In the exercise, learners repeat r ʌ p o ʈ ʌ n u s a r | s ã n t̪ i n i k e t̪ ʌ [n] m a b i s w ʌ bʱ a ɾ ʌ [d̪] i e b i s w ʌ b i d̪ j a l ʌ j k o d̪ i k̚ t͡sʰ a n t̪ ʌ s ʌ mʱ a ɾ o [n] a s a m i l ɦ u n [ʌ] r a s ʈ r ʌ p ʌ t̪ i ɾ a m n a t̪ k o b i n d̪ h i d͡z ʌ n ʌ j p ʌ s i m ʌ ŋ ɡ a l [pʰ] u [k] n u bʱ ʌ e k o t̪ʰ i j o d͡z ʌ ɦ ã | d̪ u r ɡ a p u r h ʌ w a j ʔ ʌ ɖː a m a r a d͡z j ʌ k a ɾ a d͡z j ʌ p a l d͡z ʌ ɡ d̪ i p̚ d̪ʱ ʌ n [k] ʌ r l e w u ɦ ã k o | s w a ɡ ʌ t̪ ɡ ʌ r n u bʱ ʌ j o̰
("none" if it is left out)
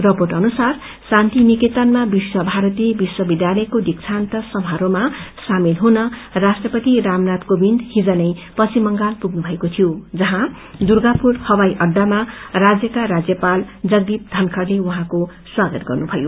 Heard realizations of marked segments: n, t̪, m, ʌ, p, ɡ, kʰ

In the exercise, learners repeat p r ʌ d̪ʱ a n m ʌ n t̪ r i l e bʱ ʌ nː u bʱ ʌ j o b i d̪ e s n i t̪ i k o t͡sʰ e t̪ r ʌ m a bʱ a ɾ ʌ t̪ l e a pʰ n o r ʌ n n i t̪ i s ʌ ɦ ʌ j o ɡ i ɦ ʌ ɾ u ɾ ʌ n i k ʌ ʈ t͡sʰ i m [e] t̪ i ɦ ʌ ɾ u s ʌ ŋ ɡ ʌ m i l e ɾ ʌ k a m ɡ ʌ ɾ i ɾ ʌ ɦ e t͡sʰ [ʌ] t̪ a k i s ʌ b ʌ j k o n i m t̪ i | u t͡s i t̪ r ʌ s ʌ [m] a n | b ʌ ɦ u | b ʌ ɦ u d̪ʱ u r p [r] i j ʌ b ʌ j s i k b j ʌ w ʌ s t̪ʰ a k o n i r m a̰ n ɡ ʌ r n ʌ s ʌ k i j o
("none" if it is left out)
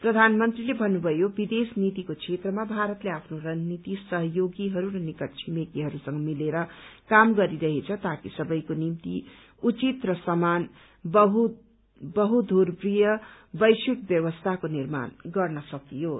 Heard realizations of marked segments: e, ʌ, m, r

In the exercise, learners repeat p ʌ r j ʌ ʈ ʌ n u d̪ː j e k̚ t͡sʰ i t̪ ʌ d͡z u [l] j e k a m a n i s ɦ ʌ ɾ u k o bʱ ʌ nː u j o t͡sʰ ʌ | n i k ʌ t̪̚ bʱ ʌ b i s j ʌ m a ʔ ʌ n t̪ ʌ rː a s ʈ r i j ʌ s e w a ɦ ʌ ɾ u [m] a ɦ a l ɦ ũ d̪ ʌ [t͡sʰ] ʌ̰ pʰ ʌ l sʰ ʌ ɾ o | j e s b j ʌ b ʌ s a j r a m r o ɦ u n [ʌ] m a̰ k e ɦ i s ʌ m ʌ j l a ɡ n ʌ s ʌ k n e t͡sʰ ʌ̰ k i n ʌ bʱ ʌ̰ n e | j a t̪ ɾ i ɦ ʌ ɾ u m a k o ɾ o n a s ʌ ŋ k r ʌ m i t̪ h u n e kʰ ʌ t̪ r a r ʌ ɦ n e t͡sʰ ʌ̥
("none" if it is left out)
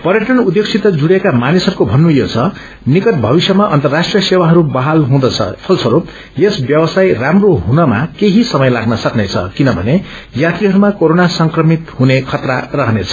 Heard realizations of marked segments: ɽ, b, t͡sʰ, ʌ

